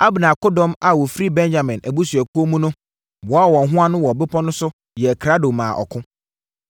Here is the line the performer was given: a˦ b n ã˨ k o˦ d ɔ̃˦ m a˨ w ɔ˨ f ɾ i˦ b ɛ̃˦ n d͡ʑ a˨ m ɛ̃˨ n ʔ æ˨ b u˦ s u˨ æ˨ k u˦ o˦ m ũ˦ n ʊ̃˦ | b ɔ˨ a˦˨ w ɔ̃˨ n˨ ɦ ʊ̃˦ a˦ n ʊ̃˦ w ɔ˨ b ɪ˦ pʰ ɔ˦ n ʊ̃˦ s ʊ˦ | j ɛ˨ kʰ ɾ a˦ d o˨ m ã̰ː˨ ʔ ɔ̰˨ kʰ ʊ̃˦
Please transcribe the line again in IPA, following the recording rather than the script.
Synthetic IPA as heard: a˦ b n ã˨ k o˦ d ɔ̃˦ m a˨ w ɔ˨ f ɾ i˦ b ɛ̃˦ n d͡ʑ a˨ m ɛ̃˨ n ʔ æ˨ b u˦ s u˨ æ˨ k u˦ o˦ m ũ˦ n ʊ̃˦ | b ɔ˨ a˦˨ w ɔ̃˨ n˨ ɦ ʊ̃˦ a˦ n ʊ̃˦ w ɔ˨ b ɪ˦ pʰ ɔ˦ n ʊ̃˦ s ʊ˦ | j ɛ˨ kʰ ɾ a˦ d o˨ m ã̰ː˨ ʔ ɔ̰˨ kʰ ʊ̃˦